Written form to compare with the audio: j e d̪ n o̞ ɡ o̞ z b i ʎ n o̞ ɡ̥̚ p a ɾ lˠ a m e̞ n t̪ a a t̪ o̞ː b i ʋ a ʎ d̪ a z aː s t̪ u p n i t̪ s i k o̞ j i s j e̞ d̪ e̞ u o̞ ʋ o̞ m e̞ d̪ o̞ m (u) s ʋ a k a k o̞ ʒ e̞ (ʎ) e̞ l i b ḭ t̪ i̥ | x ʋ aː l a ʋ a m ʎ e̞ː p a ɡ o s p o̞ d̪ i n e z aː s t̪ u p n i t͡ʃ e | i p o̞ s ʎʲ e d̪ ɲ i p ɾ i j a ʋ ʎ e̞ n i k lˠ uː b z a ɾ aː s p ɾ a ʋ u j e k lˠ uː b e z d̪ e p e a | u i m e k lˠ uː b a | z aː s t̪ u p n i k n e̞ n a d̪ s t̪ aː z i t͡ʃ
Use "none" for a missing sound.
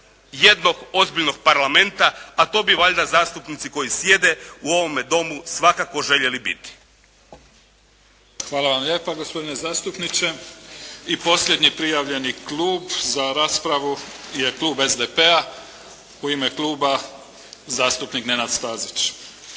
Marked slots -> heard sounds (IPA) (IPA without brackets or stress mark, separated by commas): u, ʎ